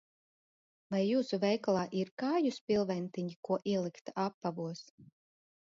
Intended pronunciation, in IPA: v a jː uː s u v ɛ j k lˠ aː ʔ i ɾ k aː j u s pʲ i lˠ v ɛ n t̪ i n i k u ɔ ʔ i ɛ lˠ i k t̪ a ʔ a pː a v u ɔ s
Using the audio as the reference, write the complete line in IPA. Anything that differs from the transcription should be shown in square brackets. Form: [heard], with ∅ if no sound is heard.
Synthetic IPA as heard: v a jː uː s u v ɛ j k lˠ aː ʔ i ɾ k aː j u s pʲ i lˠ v ɛ n t̪ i [ɲ] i k u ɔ ʔ i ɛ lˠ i k t̪ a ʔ a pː a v u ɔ s